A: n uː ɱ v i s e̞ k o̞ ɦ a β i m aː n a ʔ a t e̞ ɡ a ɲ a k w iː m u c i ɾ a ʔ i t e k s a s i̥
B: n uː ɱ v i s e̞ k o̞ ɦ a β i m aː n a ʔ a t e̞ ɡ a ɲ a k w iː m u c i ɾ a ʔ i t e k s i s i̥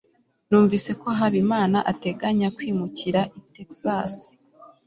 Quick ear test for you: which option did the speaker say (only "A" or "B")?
A